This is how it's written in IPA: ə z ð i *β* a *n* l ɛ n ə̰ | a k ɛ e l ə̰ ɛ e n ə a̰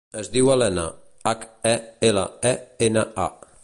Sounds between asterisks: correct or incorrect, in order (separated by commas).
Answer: incorrect, incorrect